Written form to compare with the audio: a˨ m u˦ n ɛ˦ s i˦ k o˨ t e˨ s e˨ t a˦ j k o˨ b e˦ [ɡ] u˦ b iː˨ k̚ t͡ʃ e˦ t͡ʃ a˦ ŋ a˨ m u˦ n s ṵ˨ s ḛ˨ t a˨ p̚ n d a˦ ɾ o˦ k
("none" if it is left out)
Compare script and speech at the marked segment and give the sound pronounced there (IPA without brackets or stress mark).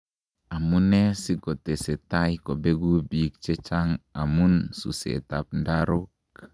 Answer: ɡ